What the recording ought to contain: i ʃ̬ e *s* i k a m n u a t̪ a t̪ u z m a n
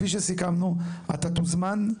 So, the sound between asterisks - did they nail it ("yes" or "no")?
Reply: yes